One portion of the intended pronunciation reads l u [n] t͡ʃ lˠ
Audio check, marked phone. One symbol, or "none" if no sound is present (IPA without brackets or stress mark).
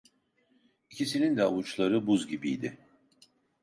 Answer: none